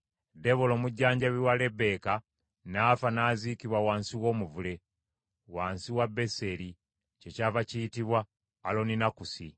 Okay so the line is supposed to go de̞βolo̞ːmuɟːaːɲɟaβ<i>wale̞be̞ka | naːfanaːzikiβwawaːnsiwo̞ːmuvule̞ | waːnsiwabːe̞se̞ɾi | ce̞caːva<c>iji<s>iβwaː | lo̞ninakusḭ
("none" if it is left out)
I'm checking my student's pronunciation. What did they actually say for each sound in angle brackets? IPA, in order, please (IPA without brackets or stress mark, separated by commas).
i, c, t